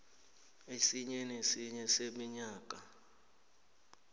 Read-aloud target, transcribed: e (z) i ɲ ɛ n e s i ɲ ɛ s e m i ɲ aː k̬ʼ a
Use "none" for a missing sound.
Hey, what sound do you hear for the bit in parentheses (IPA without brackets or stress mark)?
s